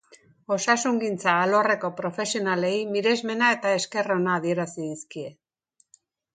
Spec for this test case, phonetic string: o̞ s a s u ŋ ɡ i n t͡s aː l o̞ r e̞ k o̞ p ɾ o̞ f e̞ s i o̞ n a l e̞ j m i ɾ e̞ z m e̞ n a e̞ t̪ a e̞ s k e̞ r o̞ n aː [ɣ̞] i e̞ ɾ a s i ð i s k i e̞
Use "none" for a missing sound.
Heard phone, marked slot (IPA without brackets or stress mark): ð̞